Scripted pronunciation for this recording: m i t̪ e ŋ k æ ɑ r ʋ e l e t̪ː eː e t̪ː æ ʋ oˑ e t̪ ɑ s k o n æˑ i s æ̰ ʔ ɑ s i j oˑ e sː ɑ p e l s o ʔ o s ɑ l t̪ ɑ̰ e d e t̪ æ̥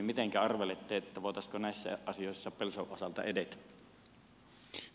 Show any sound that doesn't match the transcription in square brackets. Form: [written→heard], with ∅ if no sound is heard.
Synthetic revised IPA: m i t̪ e ŋ k æ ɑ r ʋ e l e t̪ː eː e t̪ː æ ʋ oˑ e t̪ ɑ s k o n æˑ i [s→sː] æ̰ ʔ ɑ s i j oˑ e sː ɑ p e l s o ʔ o s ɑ l t̪ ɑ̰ e d e t̪ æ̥